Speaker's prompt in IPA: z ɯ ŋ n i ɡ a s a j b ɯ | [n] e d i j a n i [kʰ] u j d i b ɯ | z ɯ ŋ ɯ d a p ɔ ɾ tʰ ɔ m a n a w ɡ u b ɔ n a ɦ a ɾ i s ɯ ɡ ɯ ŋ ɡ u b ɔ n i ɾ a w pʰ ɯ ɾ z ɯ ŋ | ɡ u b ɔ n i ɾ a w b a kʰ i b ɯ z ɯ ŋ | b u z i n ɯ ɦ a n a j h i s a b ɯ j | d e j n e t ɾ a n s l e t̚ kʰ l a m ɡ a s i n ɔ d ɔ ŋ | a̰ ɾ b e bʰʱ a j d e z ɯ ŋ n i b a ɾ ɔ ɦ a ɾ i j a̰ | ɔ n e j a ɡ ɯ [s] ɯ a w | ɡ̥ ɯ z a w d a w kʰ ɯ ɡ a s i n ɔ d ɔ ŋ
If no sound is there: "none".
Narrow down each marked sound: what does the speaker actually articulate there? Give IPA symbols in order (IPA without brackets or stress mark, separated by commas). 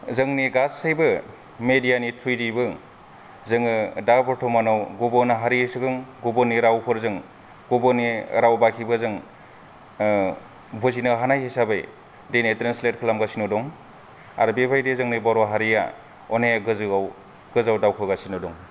m, tʰ, z